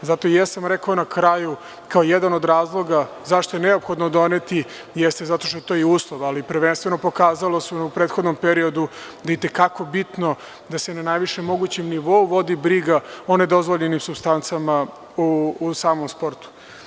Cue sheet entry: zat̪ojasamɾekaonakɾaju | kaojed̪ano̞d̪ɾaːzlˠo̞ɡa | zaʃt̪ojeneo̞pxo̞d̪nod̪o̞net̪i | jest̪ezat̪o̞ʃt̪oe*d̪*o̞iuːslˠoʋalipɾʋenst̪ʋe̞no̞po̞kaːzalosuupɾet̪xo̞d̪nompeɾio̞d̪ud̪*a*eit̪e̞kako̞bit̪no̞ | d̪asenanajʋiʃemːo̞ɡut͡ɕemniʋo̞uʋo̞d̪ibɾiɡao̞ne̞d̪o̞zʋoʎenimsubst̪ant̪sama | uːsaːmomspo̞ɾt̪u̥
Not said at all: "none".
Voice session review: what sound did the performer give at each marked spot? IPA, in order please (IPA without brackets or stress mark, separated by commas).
t̪, a